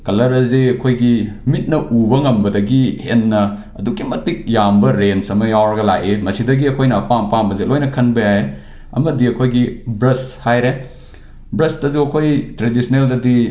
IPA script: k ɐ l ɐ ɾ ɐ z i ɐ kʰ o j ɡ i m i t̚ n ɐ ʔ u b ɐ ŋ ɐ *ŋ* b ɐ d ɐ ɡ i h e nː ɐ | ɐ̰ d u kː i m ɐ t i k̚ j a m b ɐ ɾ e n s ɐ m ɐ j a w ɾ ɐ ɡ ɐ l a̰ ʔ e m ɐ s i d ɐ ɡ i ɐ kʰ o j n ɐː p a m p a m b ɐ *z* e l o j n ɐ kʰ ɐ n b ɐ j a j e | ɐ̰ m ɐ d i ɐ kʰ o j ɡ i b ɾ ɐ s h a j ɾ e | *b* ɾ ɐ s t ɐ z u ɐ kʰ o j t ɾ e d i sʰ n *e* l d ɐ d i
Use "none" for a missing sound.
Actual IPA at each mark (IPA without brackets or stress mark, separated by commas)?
m, z, b, e